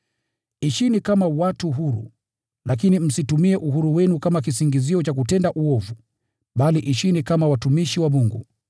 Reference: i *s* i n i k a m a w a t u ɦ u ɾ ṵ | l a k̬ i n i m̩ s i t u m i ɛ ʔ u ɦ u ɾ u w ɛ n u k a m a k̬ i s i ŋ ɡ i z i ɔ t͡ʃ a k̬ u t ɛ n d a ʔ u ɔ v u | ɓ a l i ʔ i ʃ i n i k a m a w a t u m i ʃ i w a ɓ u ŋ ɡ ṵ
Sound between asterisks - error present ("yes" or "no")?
yes